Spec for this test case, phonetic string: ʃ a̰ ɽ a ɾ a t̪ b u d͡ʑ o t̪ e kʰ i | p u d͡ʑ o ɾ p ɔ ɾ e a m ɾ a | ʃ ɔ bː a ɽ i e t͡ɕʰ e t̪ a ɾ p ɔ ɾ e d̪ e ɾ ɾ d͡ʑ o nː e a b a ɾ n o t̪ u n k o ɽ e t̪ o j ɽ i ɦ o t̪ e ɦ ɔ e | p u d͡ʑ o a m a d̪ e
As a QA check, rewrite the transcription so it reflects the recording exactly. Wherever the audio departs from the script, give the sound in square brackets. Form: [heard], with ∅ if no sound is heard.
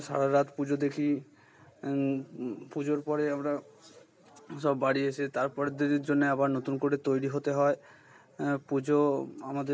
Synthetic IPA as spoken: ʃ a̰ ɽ a ɾ a t̪ [p] u d͡ʑ o [d̪] e kʰ i | p u d͡ʑ o ɾ p ɔ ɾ e a m ɾ a | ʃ ɔ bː a ɽ i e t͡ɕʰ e t̪ a ɾ p ɔ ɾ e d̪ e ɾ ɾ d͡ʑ o nː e a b a ɾ n o t̪ u n k o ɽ e t̪ o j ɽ i ɦ o t̪ e ɦ ɔ e | p u d͡ʑ o a m a d̪ e